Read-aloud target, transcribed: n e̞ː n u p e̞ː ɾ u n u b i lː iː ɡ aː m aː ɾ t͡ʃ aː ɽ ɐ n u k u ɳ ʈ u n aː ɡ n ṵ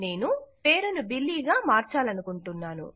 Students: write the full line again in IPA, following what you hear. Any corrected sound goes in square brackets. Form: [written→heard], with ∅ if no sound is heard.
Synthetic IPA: n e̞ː n u p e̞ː ɾ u n u b i lː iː ɡ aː m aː ɾ t͡ʃ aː [ɽ→l] ɐ n u k u ɳ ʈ u [n→nː] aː [ɡ→∅] n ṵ